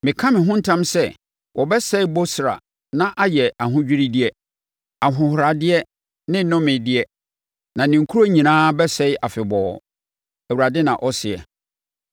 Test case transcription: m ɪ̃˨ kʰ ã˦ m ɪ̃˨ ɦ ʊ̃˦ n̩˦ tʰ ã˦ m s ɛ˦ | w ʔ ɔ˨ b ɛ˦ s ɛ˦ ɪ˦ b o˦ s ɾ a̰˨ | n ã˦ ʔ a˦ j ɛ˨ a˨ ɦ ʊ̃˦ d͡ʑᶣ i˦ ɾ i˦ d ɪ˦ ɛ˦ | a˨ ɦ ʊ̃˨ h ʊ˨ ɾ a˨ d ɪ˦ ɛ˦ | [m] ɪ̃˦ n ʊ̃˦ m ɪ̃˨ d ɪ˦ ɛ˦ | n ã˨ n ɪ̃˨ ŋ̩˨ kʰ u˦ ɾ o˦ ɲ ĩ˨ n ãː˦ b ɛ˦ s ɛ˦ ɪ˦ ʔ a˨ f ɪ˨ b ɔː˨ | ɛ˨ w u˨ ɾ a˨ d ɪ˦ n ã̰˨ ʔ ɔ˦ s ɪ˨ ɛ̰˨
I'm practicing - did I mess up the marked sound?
yes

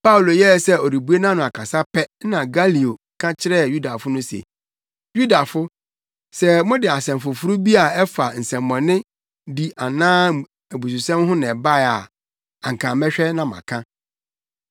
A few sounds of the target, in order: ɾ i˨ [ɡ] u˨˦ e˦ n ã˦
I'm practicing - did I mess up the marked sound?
yes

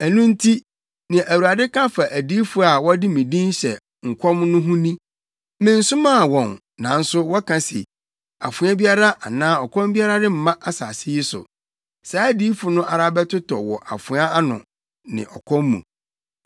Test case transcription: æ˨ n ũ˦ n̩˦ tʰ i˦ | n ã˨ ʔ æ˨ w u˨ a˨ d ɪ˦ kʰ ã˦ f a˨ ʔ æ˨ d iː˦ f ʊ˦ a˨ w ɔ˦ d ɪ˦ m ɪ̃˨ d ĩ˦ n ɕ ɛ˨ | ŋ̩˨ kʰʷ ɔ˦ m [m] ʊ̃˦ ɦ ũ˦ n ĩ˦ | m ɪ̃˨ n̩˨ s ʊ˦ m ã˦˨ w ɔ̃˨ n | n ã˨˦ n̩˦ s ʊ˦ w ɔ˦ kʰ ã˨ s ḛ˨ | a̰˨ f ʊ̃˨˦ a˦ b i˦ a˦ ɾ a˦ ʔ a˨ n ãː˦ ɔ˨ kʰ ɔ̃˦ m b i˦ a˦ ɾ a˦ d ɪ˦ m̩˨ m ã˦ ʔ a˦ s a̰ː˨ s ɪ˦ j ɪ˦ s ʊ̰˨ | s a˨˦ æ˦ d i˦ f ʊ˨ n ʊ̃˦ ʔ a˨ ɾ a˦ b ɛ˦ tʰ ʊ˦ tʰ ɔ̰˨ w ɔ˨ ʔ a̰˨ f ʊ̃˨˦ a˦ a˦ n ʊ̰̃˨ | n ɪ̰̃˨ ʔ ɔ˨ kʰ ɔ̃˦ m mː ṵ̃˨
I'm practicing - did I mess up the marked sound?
yes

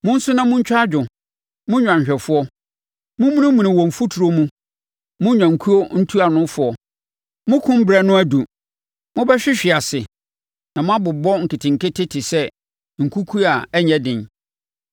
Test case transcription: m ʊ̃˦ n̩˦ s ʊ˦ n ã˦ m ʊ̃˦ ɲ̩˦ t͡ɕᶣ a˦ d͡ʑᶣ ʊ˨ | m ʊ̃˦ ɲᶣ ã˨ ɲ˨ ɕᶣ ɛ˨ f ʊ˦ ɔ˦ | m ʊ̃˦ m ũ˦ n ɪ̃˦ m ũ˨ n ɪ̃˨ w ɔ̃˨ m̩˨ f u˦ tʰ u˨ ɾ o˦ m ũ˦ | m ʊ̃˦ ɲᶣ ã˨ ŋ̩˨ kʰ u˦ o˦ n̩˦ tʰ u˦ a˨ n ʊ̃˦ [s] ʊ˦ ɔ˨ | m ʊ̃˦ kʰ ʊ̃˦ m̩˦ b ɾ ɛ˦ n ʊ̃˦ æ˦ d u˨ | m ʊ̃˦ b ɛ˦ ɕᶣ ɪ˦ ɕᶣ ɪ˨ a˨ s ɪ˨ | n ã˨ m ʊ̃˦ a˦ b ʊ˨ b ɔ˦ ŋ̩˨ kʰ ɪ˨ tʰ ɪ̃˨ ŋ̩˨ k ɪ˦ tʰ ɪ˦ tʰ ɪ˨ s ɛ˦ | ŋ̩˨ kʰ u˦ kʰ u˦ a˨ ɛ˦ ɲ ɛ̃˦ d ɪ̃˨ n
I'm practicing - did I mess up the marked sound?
yes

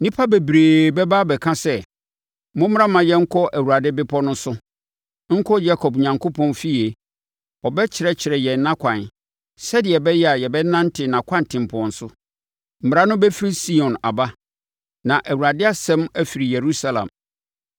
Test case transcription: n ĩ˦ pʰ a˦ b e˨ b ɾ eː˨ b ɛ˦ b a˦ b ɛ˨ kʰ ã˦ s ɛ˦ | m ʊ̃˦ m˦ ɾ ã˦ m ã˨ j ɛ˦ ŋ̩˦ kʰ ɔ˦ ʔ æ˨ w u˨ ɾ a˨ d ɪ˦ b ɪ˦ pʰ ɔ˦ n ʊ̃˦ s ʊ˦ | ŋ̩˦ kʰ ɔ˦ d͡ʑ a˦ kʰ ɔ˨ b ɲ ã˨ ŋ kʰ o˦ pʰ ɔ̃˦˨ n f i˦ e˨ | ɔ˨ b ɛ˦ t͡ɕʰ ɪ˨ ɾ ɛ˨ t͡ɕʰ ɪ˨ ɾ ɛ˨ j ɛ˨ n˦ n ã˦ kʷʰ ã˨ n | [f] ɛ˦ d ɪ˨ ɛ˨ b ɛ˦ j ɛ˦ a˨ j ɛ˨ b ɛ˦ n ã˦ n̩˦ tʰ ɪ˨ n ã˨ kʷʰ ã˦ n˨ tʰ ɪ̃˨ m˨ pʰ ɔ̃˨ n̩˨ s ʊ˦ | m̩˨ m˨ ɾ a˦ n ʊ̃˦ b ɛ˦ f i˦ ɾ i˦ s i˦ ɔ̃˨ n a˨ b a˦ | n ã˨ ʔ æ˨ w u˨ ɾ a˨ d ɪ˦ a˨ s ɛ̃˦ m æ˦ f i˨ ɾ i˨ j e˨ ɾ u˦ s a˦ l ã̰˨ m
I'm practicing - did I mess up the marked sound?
yes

